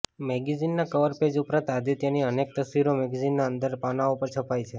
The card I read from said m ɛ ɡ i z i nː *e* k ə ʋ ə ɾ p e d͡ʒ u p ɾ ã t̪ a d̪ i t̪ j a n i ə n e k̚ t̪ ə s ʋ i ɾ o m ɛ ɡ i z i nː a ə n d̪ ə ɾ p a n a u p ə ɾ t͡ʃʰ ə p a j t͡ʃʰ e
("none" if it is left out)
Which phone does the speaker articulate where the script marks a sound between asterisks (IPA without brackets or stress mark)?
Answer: a